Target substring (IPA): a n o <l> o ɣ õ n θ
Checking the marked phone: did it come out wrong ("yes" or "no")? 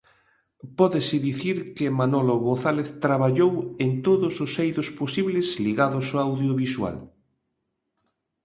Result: no